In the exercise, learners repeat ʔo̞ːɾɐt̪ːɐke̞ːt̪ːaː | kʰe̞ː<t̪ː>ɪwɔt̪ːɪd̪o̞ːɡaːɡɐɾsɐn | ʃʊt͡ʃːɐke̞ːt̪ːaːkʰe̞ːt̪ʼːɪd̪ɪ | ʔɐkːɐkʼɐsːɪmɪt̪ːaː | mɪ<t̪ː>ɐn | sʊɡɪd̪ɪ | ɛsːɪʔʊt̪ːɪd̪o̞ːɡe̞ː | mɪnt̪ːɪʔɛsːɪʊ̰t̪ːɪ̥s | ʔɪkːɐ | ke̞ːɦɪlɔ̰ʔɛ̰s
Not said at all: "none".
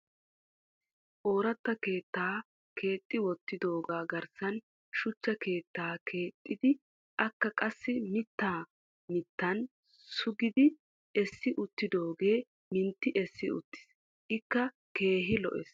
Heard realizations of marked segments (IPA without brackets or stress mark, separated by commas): t̪ʼː, t̪ː